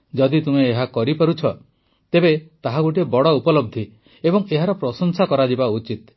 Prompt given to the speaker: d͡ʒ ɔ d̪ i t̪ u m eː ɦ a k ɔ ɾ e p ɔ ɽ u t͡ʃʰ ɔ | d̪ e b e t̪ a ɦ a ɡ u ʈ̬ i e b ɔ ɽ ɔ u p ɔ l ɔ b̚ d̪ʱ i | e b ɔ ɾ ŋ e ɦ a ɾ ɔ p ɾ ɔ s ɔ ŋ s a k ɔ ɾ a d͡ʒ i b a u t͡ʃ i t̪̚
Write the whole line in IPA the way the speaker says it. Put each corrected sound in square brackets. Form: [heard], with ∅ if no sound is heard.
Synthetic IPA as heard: d͡ʒ ɔ d̪ i t̪ u m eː ɦ a k ɔ ɾ [i] p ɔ [ɾ] u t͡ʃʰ ɔ | [t̪] e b e t̪ a ɦ a ɡ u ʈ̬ i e b ɔ ɽ ɔ u p ɔ l ɔ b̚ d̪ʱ i | e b ɔ [∅] ŋ e ɦ a ɾ ɔ p ɾ ɔ s ɔ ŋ s a k ɔ ɾ a d͡ʒ i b a u t͡ʃ i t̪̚

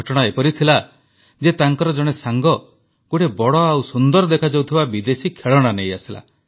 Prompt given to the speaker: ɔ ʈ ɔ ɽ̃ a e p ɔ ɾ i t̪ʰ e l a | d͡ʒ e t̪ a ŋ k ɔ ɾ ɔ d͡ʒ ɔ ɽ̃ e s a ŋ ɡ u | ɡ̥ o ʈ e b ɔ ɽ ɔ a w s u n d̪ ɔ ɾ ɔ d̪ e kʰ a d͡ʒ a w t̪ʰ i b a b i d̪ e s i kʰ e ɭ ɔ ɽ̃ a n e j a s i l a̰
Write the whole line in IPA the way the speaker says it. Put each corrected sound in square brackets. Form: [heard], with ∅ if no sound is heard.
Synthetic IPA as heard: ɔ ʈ ɔ ɽ̃ a e p ɔ ɾ i t̪ʰ [i] l a | d͡ʒ e t̪ a ŋ k ɔ ɾ ɔ d͡ʒ ɔ ɽ̃ e s a ŋ ɡ [ɔ] | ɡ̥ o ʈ e b ɔ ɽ ɔ a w s u n d̪ ɔ ɾ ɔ d̪ e kʰ a d͡ʒ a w t̪ʰ i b a b i d̪ e s i kʰ e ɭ ɔ ɽ̃ a n e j a s i l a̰

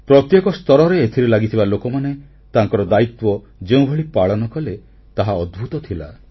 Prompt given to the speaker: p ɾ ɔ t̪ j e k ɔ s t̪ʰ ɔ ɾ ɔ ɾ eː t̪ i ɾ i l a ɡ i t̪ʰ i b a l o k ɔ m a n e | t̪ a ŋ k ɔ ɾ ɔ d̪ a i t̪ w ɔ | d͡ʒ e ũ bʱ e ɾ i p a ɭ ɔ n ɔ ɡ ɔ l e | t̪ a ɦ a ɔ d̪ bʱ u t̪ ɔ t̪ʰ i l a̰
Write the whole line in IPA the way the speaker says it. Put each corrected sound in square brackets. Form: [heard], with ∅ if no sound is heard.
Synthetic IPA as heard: p ɾ ɔ t̪ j e k ɔ s [t̪] ɔ ɾ ɔ ɾ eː [t̪ʰ] i ɾ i l a ɡ i t̪ʰ i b a l o k ɔ m a n e | t̪ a ŋ k ɔ ɾ ɔ d̪ a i t̪ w ɔ | d͡ʒ e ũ bʱ e [ɭ] i p a ɭ ɔ n ɔ [k] ɔ l e | t̪ a ɦ a ɔ d̪ bʱ u t̪ ɔ t̪ʰ i l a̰

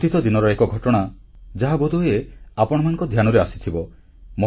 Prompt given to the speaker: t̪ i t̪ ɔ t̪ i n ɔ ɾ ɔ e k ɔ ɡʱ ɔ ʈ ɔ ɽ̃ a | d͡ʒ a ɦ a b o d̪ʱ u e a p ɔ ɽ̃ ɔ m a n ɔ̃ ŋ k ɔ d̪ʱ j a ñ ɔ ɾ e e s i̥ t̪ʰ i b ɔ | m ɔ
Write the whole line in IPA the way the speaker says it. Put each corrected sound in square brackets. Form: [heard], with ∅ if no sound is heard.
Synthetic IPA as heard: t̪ i t̪ ɔ [d̪] i n ɔ ɾ ɔ e k ɔ ɡʱ ɔ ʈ ɔ ɽ̃ a | d͡ʒ a ɦ a b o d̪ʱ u e a p ɔ ɽ̃ ɔ m a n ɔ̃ ŋ k ɔ d̪ʱ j a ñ ɔ ɾ e [a] s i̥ t̪ʰ i b ɔ | m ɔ

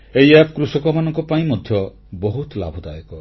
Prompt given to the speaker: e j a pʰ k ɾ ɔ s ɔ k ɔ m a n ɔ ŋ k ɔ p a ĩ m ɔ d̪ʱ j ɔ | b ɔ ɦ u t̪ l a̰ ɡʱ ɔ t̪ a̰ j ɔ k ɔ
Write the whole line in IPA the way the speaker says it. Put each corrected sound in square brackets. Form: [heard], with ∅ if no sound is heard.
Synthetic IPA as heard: e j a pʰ k ɾ [u] s ɔ k ɔ m a n ɔ ŋ k ɔ p a ĩ m ɔ d̪ʱ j ɔ | b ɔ ɦ u t̪ l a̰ [bʱ] ɔ [d̪] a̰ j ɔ k ɔ

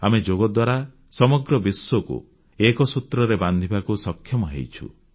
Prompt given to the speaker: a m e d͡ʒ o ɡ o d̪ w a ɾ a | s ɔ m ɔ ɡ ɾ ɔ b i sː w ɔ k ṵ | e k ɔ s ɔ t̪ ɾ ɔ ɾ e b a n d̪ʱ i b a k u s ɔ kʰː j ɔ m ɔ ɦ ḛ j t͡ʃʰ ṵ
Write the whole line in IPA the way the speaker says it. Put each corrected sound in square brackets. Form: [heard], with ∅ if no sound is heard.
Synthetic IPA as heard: a m e d͡ʒ o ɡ [ɔ] d̪ w a ɾ a | s ɔ m ɔ ɡ ɾ ɔ b i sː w ɔ k ṵ | e k ɔ s [u] t̪ ɾ ɔ ɾ e b a n d̪ʱ i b a k u s ɔ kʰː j ɔ m ɔ ɦ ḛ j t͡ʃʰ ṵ

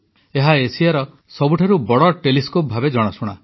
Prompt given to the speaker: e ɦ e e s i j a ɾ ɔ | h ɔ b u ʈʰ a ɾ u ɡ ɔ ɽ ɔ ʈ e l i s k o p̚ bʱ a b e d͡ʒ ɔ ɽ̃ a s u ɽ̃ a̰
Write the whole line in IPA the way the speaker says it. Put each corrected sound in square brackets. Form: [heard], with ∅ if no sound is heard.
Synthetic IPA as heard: e ɦ [a] e s i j a ɾ ɔ | [s] ɔ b u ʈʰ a ɾ u [b] ɔ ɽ ɔ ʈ e l i s k o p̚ bʱ a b e d͡ʒ ɔ ɽ̃ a s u ɽ̃ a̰

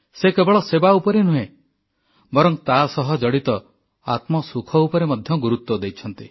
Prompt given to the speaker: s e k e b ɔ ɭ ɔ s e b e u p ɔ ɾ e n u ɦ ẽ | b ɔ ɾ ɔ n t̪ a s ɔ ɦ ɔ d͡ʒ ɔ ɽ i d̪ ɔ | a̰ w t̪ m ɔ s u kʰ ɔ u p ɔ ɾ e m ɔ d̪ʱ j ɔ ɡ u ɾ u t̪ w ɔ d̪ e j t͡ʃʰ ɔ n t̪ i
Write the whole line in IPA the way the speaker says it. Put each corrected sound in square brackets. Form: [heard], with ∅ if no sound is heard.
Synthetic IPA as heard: s e k e b ɔ ɭ ɔ s e b [a] u p ɔ ɾ e n u ɦ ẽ | b ɔ ɾ ɔ [ŋ] t̪ a s ɔ ɦ ɔ d͡ʒ ɔ ɽ i [t̪] ɔ | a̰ [∅] t̪ m ɔ s u kʰ ɔ u p ɔ ɾ e m ɔ d̪ʱ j ɔ ɡ u ɾ u t̪ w ɔ d̪ e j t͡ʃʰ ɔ n t̪ i

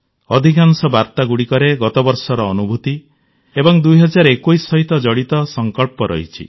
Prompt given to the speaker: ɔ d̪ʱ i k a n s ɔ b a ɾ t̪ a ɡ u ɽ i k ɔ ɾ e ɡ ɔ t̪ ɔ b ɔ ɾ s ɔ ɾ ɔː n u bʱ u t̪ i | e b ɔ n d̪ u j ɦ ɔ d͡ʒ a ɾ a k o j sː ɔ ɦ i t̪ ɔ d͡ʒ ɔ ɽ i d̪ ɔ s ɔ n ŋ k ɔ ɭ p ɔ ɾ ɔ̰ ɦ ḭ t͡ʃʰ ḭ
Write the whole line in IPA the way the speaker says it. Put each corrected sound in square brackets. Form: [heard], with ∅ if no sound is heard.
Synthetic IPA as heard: ɔ d̪ʱ i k a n s ɔ b a ɾ t̪ a ɡ u ɽ i k ɔ ɾ e ɡ ɔ t̪ ɔ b ɔ ɾ s ɔ ɾ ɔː n u bʱ u t̪ i | e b ɔ [ŋ] d̪ u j ɦ ɔ d͡ʒ a ɾ [e] k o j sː ɔ ɦ i t̪ ɔ d͡ʒ ɔ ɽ i [t̪] ɔ s ɔ [∅] ŋ k ɔ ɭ p ɔ ɾ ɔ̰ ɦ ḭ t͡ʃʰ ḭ

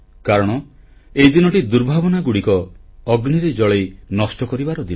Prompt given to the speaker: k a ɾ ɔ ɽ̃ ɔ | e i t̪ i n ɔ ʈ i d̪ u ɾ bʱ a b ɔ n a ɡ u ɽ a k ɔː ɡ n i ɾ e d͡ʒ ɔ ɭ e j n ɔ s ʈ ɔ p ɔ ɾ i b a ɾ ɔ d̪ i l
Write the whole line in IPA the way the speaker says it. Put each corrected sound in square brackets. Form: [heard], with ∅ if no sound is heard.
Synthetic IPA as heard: k a ɾ ɔ ɽ̃ ɔ | e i [d̪] i n ɔ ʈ i d̪ u ɾ bʱ a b ɔ n a ɡ u ɽ [i] k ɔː ɡ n i ɾ e d͡ʒ ɔ ɭ e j n ɔ s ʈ ɔ [k] ɔ ɾ i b a ɾ ɔ d̪ i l

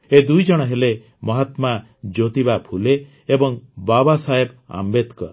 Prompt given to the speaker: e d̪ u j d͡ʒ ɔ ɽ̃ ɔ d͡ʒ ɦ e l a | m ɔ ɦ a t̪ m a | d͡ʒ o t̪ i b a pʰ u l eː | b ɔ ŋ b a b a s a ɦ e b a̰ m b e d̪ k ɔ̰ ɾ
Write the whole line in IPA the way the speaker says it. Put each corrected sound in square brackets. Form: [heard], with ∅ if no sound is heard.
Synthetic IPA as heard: e d̪ u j d͡ʒ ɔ ɽ̃ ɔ [∅] ɦ e l [e] | m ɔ ɦ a t̪ m a | d͡ʒ o t̪ i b a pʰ u l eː | b ɔ ŋ b a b a s a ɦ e b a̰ m b e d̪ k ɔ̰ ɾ

